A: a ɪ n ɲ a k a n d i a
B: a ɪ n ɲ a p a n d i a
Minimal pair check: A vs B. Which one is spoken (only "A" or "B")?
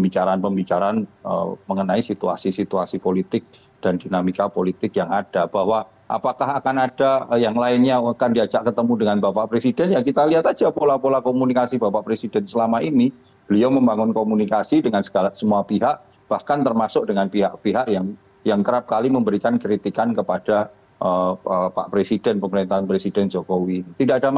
A